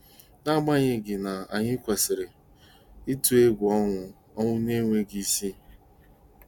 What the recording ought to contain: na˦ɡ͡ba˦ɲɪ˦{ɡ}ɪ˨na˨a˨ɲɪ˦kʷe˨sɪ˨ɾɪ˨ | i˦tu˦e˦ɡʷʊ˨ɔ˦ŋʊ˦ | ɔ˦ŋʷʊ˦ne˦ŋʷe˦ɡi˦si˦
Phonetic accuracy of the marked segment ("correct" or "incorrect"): correct